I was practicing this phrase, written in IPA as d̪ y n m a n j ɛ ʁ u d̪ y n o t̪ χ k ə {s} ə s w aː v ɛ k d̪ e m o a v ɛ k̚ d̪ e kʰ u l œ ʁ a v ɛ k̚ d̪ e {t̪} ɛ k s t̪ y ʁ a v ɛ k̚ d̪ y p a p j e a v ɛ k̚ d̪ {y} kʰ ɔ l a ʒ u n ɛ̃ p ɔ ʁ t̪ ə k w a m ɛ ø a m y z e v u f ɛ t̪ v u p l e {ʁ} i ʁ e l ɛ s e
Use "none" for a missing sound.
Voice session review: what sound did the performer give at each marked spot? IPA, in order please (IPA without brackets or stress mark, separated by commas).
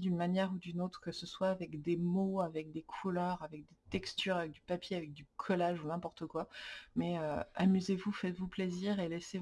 s, t̪, y, z